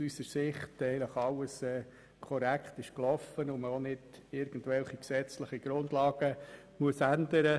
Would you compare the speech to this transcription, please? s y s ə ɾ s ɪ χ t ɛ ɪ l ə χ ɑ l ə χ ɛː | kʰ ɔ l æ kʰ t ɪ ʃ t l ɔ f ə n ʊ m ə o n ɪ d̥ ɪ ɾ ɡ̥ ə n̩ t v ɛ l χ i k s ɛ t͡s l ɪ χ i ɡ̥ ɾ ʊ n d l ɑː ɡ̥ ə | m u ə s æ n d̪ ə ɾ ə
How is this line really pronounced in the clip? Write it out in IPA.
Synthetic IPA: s y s ə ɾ s ɪ χ t ɛ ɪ l ə χ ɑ l ə s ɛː | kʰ ɔ ɾ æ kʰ t ɪ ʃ k l ɔ f ə n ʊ m ə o n ɪ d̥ ɪ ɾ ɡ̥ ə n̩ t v ɛ l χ i k s ɛ t͡s l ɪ χ i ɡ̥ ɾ ʊ n d l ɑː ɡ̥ ə | m u ə s æ n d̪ ə ɾ ə